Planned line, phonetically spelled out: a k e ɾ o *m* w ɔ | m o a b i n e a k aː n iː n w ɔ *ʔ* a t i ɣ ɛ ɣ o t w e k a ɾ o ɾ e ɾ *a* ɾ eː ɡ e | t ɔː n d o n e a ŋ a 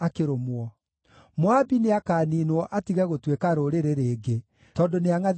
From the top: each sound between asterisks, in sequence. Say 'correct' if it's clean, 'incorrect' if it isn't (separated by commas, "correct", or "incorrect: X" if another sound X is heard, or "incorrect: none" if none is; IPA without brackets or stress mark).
correct, correct, incorrect: e